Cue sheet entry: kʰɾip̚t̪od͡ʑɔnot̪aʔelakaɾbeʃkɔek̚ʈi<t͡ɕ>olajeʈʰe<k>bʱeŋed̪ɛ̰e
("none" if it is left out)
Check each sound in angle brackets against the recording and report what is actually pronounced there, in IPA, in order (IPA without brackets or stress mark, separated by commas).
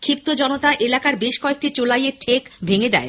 t͡ɕ, k